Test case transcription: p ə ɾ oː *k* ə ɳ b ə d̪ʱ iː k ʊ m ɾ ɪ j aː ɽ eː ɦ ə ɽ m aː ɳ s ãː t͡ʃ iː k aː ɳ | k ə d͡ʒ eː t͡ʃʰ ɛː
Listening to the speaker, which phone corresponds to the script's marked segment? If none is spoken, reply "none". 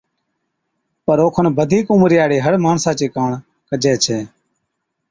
kʰ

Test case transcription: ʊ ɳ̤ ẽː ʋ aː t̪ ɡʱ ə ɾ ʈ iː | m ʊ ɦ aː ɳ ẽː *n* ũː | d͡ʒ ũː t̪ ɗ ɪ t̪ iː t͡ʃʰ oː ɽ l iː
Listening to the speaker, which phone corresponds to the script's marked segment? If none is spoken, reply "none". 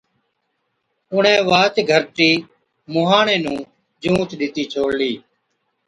n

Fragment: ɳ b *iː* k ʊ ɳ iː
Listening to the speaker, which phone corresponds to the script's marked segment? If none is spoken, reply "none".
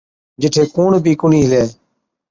iː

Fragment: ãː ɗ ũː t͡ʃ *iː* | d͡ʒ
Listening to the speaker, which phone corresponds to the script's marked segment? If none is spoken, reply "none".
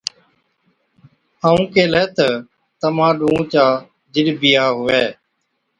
aː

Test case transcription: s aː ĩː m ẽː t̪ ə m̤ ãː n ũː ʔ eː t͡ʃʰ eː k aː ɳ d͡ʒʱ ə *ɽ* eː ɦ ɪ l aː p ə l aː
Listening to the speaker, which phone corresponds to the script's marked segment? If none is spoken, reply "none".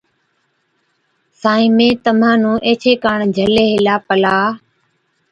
l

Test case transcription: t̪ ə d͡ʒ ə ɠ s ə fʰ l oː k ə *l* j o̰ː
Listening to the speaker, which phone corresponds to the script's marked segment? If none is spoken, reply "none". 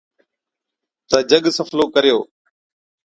ɾ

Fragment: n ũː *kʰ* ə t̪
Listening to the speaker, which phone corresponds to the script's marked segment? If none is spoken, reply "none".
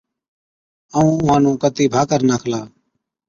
k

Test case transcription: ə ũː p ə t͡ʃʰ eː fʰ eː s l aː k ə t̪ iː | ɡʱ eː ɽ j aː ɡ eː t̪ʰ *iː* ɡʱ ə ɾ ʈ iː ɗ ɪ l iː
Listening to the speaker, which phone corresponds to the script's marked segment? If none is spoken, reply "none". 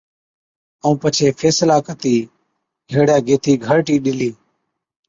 iː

